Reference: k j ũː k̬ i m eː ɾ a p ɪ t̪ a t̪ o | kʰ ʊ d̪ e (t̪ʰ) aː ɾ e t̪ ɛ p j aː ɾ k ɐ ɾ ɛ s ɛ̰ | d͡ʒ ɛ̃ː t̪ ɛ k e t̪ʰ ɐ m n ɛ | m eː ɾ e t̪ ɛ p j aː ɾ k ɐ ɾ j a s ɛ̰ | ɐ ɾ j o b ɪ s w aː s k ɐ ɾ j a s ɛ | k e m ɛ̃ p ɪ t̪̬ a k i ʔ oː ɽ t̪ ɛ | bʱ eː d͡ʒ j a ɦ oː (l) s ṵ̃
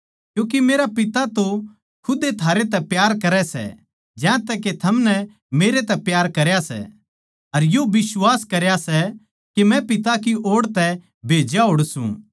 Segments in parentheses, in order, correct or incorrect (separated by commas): correct, incorrect